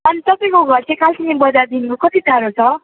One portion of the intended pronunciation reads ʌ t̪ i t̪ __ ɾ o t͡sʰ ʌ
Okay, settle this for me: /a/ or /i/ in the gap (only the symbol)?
a